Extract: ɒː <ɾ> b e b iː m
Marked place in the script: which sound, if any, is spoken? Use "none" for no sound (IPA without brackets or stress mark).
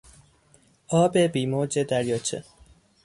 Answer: none